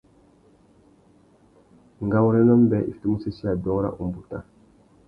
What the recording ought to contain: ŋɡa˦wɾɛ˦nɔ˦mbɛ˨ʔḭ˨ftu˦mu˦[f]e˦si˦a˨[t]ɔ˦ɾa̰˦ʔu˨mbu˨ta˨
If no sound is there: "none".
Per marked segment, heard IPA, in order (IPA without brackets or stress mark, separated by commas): s, d